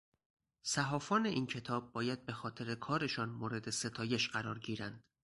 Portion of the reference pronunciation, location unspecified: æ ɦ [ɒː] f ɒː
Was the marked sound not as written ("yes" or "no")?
no